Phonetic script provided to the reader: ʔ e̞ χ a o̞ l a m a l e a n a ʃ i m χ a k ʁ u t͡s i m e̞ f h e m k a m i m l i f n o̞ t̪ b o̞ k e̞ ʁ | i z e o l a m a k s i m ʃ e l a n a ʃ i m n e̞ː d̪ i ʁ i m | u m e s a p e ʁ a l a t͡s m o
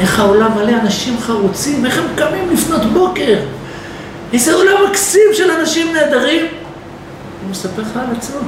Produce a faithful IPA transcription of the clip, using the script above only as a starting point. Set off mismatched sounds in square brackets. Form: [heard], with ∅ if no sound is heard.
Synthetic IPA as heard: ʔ e̞ χ a o̞ l a m a l e a n a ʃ i m χ a [∅] ʁ u t͡s i m e̞ [χ] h e m k a m i m l i f n o̞ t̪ b o̞ k e̞ ʁ | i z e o l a m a k s i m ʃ e l a n a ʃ i m n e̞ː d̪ [a] ʁ i m | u m e s a p e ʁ a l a t͡s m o